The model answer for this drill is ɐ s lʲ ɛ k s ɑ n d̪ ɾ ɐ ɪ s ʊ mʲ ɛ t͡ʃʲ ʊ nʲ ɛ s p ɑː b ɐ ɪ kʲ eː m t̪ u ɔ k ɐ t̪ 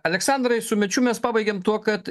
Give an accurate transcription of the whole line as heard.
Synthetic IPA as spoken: ɐ lʲ ɛ k s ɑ n d̪ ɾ ɐ ɪ s ʊ mʲ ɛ t͡ʃʲ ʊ mʲ ɛ s p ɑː b ɐ ɪ ɡʲ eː m t̪ u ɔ k ɐ t̪